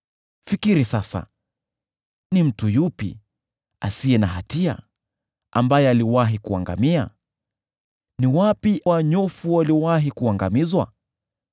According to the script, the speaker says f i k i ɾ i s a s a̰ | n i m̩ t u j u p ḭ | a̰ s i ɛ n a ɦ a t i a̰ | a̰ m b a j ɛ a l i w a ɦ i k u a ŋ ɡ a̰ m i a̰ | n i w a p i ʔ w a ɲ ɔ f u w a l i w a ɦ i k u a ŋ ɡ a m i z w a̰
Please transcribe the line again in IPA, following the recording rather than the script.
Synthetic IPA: f i k i ɾ i s a s a̰ | n i m̩ t u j u p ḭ | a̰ s i ɛ n a ɦ a t i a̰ | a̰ m b a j ɛ a l i w a ɦ i k u a ŋ ɡ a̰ m i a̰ | n i w a p i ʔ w a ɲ ɔ f u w a l i w a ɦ i k u a ŋ ɡ a m i z w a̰